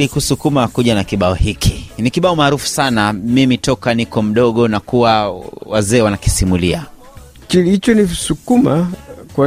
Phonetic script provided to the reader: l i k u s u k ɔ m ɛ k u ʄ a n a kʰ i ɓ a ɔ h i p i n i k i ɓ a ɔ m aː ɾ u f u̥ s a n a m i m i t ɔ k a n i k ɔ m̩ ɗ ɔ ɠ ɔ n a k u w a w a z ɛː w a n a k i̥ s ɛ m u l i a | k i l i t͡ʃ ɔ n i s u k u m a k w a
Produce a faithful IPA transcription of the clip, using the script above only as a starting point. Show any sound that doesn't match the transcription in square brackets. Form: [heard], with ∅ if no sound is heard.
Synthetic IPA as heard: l i k u s u k [u] m [a] k u ʄ a n a [k] i ɓ a ɔ h i [k] i n i k i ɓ a ɔ m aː ɾ u f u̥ s a n a m i m i t ɔ k a n i k ɔ m̩ ɗ ɔ ɠ ɔ n a k u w a w a z ɛː w a n a k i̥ s [i] m u l i a | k i l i t͡ʃ ɔ n i s u k u m a k w a